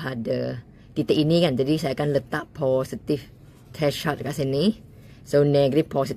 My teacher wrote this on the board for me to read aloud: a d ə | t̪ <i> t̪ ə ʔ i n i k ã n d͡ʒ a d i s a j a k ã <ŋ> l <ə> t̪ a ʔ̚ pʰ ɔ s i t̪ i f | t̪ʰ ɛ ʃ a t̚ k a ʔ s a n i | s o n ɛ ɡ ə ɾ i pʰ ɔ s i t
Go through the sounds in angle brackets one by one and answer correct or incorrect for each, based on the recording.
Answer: correct, incorrect: n, correct

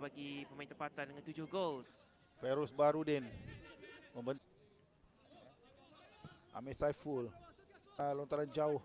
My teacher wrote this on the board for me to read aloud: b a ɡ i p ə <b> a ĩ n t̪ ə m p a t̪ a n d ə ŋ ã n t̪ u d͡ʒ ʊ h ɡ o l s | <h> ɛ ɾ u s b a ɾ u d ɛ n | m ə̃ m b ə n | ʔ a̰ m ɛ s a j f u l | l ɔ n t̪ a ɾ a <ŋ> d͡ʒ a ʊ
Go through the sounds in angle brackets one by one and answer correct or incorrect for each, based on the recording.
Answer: incorrect: m, incorrect: f, incorrect: n

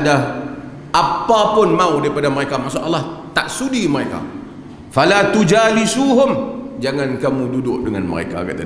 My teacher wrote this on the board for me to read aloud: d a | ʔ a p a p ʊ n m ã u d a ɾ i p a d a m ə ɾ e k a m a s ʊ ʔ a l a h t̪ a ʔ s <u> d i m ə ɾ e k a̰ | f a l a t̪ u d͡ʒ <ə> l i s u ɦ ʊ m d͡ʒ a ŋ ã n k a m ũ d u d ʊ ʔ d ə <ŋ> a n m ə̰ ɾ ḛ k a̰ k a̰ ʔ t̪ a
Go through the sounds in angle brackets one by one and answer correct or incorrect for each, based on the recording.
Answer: correct, incorrect: a, correct

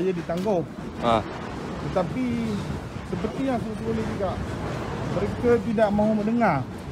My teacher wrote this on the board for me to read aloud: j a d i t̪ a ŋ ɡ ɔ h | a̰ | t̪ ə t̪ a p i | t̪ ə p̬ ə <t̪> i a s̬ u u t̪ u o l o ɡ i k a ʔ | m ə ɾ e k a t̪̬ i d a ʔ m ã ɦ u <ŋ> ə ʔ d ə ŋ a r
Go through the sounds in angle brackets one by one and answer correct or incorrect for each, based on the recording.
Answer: correct, incorrect: m

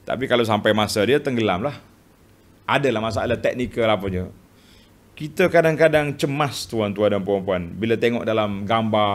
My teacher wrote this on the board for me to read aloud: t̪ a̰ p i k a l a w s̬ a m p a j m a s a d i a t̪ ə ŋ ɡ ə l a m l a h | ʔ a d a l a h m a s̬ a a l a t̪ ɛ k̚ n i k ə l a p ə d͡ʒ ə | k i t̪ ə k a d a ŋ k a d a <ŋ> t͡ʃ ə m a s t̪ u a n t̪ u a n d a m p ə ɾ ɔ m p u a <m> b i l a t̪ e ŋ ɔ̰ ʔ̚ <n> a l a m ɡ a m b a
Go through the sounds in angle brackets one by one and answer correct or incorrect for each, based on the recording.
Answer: correct, incorrect: n, incorrect: d

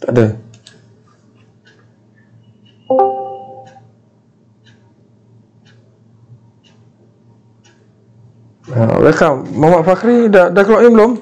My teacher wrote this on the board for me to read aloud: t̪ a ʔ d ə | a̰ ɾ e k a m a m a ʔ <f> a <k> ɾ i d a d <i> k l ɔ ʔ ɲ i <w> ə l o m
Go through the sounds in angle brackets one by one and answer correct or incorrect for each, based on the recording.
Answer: correct, correct, incorrect: a, incorrect: b

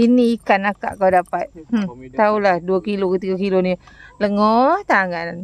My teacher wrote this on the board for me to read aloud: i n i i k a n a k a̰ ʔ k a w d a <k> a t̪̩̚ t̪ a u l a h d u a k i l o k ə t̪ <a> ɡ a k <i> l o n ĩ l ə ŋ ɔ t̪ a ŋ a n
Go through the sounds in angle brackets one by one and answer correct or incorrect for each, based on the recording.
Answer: incorrect: p, incorrect: i, correct

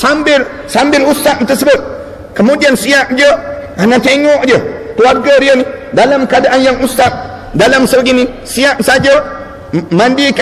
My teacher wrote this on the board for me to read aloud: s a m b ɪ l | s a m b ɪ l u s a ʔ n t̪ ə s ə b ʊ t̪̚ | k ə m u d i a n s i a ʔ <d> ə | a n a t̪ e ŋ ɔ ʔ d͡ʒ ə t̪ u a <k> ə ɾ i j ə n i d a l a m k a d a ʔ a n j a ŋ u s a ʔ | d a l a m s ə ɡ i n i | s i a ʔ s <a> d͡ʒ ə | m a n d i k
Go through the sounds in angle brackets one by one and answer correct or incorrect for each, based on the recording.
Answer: incorrect: d͡ʒ, incorrect: ɡ, correct

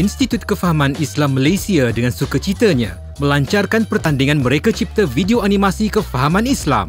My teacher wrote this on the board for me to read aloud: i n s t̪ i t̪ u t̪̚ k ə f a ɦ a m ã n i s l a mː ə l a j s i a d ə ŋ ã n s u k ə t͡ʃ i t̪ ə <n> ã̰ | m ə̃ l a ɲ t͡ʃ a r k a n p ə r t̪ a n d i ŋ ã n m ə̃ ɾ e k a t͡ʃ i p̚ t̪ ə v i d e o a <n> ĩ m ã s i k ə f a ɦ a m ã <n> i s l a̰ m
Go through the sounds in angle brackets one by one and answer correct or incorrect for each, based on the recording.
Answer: incorrect: ɲ, correct, correct

